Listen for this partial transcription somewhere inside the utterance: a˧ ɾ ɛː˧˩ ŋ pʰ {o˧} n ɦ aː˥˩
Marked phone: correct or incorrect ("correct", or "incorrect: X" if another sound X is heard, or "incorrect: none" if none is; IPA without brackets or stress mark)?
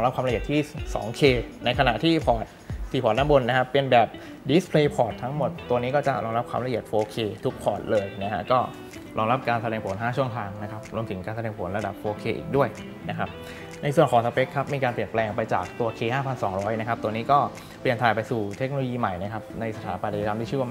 incorrect: o˩˦